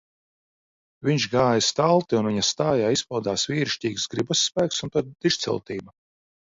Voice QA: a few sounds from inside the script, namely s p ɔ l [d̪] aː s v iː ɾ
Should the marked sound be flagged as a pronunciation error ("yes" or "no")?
no